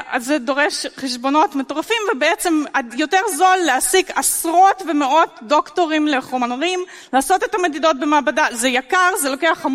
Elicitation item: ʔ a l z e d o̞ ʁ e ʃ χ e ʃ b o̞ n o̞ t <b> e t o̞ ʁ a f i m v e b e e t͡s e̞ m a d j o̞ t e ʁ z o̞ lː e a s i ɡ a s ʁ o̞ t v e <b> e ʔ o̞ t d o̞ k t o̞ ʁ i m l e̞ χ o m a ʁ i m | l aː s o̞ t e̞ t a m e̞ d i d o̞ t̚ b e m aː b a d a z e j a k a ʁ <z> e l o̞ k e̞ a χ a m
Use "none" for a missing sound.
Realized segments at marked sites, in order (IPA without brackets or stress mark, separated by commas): m, m, z